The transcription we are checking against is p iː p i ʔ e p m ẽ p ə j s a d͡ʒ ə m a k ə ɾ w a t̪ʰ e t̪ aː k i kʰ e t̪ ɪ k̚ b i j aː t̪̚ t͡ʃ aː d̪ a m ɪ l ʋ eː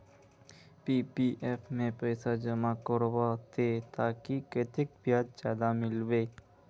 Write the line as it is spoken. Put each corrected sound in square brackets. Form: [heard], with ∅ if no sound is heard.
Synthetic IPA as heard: p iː p i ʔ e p m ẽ p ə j s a d͡ʒ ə m a k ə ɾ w a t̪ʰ e t̪ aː k i [k] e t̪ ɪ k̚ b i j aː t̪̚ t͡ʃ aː d̪ a m ɪ l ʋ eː